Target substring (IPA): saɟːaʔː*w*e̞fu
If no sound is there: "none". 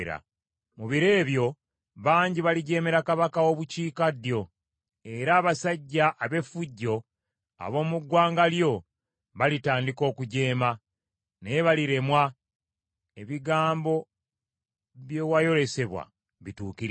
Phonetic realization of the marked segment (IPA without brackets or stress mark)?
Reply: β